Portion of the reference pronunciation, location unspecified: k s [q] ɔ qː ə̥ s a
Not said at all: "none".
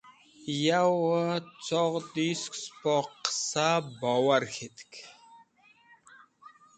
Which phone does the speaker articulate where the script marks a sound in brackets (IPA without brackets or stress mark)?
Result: p